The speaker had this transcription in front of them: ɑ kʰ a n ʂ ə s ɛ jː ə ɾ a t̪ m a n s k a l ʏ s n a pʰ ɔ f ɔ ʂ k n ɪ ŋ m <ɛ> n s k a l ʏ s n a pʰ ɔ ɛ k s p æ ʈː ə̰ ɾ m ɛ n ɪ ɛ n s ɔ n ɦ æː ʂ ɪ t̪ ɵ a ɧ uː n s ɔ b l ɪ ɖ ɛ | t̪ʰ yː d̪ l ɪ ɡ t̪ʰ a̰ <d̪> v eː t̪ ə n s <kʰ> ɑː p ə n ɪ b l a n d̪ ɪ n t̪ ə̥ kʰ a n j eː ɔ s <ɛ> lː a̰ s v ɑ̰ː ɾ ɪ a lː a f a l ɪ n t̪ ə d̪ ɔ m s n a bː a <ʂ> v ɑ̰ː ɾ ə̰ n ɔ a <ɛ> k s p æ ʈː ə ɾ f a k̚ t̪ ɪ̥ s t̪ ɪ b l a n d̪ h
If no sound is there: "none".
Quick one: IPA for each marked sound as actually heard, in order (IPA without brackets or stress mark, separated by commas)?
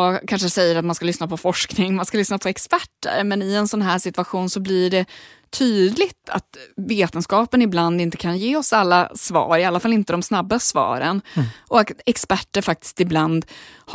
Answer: a, t̪, k, a, s, ɛ